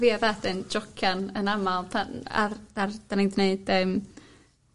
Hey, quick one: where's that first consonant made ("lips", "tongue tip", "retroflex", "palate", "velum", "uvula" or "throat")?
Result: lips